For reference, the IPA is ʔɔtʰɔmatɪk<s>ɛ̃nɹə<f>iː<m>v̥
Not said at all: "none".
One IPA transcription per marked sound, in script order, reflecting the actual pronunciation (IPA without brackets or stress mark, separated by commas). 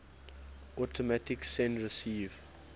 s, s, none